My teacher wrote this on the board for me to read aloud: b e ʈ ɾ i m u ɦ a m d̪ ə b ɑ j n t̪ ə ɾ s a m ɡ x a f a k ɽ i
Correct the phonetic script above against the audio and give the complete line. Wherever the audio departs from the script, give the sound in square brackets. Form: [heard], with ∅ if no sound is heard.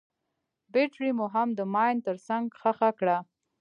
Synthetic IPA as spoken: b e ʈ ɾ i m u ɦ a m d̪ ə [m] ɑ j n t̪ ə ɾ s a [ŋ] ɡ x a [x] a k ɽ [a]